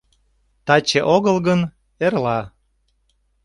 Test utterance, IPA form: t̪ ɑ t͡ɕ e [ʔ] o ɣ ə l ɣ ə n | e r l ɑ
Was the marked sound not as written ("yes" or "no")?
no